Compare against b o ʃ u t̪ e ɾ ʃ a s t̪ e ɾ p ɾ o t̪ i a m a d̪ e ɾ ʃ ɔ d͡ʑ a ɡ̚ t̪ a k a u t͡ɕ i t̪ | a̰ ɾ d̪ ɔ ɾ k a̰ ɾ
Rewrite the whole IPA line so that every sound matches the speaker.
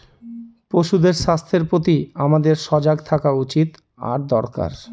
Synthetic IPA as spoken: p o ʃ u d̪ e ɾ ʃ a s t̪ʰ e ɾ p ɾ o t̪ i a m a d̪ e ɾ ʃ ɔ d͡ʑ a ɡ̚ t̪ʰ a k a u t͡ɕ i t̪ | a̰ ɾ d̪ ɔ ɾ k a̰ ɾ